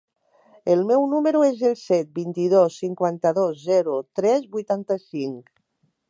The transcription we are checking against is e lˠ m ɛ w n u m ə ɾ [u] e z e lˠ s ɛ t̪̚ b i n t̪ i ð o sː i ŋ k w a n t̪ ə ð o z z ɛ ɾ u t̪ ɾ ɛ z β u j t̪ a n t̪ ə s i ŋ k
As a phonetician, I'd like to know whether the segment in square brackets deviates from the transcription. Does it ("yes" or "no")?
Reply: no